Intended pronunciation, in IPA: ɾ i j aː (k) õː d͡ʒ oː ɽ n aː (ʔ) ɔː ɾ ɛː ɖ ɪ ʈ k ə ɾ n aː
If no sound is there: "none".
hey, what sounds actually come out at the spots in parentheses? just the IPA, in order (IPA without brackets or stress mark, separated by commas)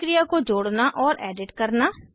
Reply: k, ʔ